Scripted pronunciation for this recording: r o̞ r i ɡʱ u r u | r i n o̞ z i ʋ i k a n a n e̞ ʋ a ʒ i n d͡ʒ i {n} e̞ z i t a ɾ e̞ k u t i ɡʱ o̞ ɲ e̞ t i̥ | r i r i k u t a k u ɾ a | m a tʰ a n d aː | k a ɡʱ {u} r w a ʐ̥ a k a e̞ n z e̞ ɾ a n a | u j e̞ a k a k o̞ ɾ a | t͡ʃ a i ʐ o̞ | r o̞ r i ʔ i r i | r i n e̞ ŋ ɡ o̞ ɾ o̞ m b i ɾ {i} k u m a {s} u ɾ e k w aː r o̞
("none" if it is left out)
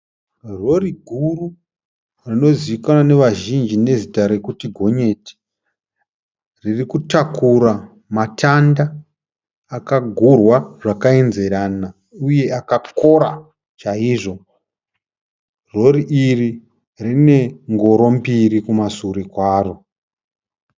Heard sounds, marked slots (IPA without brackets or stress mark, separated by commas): n, u, i, s